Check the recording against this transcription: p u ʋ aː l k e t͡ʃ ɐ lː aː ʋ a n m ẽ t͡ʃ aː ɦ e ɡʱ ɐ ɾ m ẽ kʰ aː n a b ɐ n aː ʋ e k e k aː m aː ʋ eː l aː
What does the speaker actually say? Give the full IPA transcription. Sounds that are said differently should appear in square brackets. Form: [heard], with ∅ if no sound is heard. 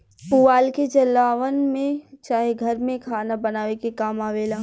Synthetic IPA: p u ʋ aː l k e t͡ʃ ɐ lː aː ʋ [ə] n m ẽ t͡ʃ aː ɦ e ɡʱ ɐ ɾ m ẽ kʰ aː n a b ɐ n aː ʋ e k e k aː m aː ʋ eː l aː